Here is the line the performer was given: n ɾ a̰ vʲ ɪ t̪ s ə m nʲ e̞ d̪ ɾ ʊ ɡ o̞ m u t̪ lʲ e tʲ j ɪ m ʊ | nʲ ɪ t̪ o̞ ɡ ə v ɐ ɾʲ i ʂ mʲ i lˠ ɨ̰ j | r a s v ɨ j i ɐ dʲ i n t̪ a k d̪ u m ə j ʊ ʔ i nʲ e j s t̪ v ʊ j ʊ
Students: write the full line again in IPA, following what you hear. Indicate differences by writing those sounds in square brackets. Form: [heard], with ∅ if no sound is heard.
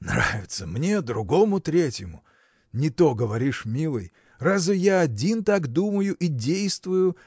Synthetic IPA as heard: n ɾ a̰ vʲ ɪ t̪ s ə m nʲ e̞ d̪ ɾ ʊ ɡ o̞ m [ʊ] t̪ [ɾʲ] e tʲ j ɪ m ʊ | nʲ ɪ t̪ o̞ ɡ ə v ɐ ɾʲ i ʂ mʲ i lˠ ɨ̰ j | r a [z] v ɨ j [a] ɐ dʲ i n t̪ a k d̪ u m ə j ʊ ʔ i [dʲ] e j s t̪ v ʊ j ʊ